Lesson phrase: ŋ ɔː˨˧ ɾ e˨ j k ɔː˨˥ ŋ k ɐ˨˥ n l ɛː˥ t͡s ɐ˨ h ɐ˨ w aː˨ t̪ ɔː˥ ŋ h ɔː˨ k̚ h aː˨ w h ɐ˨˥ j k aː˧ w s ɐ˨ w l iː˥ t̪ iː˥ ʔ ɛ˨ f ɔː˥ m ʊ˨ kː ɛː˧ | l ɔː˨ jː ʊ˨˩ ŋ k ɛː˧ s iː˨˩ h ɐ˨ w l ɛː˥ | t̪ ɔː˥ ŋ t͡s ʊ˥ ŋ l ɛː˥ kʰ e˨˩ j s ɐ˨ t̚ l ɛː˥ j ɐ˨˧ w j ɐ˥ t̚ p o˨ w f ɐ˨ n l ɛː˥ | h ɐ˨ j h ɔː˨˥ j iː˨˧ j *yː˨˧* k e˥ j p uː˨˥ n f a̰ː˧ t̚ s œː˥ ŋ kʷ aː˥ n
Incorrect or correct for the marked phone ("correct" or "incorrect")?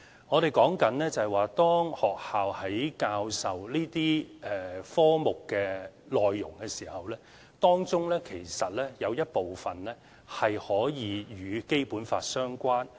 correct